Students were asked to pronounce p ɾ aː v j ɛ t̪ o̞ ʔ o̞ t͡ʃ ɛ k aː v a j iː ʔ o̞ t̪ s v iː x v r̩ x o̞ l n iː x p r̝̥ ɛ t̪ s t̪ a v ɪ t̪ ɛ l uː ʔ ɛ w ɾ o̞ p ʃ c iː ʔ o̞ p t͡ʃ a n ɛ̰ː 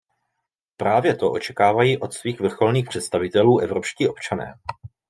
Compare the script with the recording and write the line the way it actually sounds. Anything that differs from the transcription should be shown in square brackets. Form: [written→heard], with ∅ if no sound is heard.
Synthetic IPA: p ɾ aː v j ɛ t̪ o̞ ʔ o̞ t͡ʃ ɛ k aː v a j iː ʔ o̞ t̪ s v iː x v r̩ x o̞ l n iː x p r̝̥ ɛ t̪ s t̪ a v ɪ t̪ ɛ l uː ʔ ɛ [w→v] ɾ o̞ p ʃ c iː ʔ o̞ p t͡ʃ a n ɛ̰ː